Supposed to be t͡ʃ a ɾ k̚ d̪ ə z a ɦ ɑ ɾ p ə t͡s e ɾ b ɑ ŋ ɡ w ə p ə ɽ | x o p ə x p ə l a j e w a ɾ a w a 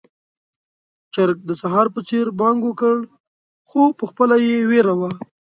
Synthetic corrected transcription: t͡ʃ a ɾ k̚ d̪ ə s a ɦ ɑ ɾ p ə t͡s e ɾ b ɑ ŋ ɡ w ə k ə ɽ | x o p ə x p ə l a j e w e ɾ a w a

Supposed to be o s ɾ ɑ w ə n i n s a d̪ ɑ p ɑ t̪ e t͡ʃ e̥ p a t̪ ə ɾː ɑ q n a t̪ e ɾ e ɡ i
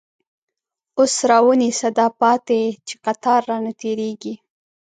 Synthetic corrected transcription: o s ɾ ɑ w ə n i s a d̪ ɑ p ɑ t̪ e t͡ʃ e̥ q a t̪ ɑ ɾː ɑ n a t̪ e ɾ e ɡ i

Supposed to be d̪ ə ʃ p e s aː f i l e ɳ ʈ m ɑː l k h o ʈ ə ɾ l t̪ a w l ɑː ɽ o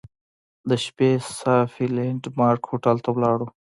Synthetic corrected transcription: d̪ ə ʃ p e s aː f i l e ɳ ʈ m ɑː ɾ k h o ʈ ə l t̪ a w l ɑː ɽ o

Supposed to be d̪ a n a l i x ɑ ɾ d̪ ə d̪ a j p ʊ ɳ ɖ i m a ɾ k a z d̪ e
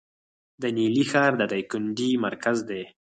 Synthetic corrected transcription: d̪ ə n i l i x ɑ ɾ d̪ ə d̪ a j k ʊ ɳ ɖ i m a ɾ k a z d̪ e

